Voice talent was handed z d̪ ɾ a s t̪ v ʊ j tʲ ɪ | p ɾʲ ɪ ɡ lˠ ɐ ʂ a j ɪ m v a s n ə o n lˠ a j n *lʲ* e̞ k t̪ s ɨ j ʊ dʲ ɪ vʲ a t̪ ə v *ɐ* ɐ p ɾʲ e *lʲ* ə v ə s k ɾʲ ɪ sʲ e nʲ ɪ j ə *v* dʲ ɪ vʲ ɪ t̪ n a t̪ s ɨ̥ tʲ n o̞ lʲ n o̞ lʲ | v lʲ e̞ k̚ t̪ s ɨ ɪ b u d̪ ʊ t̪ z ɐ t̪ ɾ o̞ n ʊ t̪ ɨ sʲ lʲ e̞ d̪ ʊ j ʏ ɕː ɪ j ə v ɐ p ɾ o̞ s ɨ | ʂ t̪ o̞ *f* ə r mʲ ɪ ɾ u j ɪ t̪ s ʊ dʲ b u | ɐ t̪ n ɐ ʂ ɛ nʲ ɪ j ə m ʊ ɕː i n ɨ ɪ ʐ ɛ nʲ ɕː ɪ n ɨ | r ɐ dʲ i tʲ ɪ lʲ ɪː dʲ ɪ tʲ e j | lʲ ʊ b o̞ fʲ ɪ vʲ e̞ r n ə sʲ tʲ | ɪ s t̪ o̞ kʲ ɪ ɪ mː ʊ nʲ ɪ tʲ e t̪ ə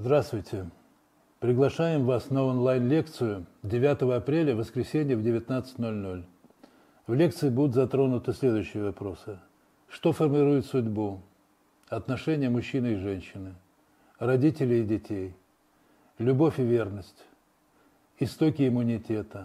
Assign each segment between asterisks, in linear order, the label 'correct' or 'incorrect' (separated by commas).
correct, incorrect, correct, correct, correct